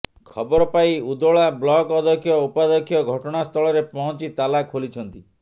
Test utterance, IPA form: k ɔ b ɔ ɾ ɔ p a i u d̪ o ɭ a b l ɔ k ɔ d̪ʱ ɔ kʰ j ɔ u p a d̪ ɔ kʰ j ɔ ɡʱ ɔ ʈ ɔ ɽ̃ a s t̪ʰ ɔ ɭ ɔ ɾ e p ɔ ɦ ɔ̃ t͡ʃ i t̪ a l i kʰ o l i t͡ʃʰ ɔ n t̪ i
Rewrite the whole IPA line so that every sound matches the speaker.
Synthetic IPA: kʰ ɔ b ɔ ɾ ɔ p a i u d̪ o ɭ a b l ɔ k ɔ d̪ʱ ɔ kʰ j ɔ u p a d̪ ɔ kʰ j ɔ ɡʱ ɔ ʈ ɔ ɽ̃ a s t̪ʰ ɔ ɭ ɔ ɾ e p ɔ ɦ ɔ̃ t͡ʃ i t̪ a l a kʰ o l i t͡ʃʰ ɔ n t̪ i